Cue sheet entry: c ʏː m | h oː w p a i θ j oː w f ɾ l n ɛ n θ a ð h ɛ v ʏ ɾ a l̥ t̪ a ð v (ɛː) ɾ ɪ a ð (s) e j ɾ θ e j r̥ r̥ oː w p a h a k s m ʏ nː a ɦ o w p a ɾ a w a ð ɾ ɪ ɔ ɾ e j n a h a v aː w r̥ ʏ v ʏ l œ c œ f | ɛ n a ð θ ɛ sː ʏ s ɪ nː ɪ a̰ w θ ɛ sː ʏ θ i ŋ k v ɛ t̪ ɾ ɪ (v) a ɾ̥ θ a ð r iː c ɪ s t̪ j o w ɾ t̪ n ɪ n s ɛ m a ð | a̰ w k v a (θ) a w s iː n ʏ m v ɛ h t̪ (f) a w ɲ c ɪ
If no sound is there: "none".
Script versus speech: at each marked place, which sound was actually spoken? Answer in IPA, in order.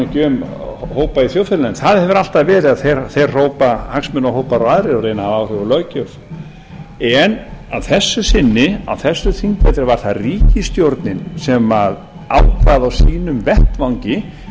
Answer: ɛː, θ, v, ð, v

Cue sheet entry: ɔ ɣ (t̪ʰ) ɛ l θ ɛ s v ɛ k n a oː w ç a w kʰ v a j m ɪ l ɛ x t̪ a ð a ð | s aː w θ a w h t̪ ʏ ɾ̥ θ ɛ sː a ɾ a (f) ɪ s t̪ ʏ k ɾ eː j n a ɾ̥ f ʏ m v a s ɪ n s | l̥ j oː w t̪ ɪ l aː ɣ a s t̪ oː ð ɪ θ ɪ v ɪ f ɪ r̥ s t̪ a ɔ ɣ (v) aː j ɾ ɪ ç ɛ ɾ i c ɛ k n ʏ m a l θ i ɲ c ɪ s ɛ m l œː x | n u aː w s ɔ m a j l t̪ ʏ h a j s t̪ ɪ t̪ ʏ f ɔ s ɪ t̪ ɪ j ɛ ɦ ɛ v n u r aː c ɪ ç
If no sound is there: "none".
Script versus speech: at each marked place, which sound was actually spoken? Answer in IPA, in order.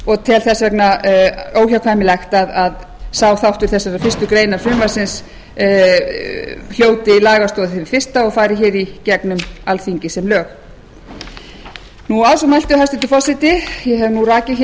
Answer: t̪ʰ, f, f

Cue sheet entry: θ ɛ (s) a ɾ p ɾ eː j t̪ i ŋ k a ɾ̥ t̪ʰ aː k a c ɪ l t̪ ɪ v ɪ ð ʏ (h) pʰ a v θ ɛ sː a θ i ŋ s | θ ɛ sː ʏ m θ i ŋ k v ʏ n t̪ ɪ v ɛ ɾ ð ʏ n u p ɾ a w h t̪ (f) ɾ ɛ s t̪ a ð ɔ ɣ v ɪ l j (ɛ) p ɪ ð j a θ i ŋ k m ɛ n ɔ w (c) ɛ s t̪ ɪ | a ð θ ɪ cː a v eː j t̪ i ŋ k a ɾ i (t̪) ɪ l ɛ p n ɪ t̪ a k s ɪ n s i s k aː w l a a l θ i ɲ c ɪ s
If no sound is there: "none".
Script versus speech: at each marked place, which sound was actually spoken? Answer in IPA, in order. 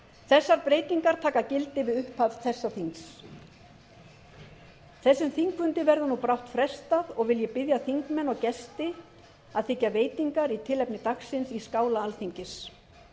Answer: sː, h, f, ɛ, c, t̪ʰ

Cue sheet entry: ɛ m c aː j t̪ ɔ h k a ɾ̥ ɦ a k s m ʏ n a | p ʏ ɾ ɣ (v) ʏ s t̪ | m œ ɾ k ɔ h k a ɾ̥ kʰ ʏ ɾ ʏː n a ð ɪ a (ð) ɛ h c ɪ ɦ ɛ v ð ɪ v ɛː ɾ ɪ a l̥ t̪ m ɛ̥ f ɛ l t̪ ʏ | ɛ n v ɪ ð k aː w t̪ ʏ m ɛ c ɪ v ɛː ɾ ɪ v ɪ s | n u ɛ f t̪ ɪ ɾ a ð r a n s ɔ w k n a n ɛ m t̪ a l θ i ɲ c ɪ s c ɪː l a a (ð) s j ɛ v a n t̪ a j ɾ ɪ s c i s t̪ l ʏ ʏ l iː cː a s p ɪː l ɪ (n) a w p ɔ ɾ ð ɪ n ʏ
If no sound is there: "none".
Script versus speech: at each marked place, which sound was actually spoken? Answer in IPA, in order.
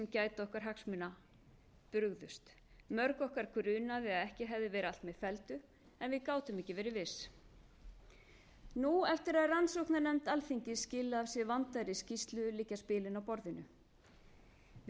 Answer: ð, ð, v, n

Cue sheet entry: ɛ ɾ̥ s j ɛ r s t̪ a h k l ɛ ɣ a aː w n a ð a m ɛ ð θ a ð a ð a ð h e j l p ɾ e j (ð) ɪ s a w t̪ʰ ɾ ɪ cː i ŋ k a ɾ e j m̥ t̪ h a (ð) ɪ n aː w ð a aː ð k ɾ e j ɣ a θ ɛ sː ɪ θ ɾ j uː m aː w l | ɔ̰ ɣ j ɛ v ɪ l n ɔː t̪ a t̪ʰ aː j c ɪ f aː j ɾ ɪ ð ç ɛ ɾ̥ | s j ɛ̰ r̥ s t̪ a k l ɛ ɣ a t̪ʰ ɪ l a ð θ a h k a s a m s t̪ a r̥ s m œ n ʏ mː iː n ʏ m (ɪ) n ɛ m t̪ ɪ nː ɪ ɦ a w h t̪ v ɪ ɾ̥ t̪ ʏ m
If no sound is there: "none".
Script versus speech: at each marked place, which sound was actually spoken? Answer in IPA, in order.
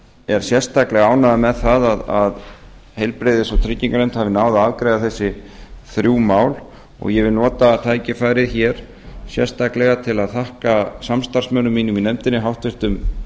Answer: ð, v, i

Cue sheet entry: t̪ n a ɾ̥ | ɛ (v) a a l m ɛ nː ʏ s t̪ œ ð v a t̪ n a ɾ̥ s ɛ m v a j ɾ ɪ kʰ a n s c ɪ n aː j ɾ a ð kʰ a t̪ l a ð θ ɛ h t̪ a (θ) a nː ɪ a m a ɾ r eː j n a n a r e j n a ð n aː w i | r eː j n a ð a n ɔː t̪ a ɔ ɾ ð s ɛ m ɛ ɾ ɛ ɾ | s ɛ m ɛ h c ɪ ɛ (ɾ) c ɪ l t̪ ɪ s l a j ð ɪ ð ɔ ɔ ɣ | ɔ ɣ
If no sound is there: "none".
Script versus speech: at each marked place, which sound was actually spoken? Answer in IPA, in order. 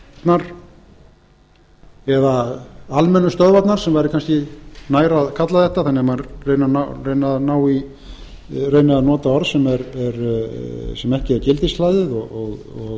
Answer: ð, θ, ɾ

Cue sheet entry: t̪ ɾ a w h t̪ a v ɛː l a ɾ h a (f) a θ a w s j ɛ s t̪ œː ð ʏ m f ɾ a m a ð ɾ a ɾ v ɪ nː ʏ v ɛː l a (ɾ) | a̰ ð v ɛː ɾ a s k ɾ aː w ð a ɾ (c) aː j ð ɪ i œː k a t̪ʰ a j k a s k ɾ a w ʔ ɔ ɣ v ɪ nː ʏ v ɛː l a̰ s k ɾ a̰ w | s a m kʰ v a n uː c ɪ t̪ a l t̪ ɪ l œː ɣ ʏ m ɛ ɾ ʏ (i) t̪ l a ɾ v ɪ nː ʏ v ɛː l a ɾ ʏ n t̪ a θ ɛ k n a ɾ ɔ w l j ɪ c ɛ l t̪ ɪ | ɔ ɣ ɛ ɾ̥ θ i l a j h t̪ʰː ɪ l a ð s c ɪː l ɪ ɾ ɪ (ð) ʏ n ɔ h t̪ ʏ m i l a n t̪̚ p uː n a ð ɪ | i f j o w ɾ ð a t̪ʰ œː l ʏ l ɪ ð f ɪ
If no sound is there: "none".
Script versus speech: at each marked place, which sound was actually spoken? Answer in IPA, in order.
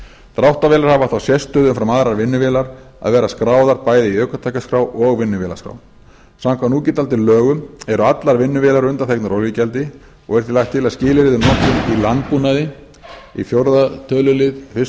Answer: v, ɾ, p, a, ð

